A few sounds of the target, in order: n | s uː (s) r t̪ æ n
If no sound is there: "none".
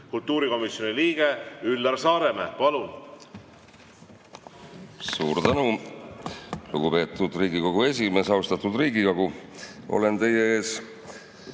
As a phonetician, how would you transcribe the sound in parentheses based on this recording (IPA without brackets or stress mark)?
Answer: none